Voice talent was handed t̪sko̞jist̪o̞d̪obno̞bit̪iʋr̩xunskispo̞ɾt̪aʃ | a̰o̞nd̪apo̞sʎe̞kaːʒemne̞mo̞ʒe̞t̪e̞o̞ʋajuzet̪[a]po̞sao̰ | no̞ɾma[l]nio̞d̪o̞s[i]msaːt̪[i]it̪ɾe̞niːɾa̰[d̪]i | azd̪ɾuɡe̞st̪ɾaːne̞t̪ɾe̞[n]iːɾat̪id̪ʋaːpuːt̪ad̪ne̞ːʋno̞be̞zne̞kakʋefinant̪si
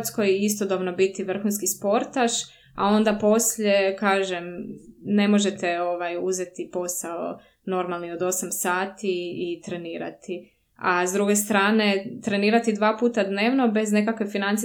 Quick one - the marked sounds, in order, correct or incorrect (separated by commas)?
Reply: incorrect, correct, incorrect, correct, incorrect, correct